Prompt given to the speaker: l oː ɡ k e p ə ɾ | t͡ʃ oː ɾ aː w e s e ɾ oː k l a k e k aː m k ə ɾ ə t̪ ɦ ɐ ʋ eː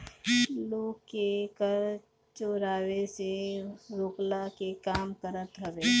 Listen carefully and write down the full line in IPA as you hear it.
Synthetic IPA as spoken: l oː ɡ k e k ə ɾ | t͡ʃ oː ɾ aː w e s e ɾ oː k l a k e k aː m k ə ɾ ə t̪ ɦ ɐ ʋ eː